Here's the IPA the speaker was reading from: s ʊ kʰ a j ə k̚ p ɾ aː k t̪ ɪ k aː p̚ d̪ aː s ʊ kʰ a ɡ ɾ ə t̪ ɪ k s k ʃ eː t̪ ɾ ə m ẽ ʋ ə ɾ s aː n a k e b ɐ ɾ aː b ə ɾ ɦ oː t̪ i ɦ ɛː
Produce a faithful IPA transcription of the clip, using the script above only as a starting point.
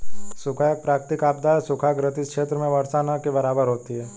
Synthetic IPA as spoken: s ʊ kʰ a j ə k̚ p ɾ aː k t̪ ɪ k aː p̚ d̪ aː s ʊ kʰ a ɡ ɾ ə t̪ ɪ s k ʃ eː t̪ ɾ ə m ẽ ʋ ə ɾ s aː n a k e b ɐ ɾ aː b ə ɾ ɦ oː t̪ i ɦ ɛː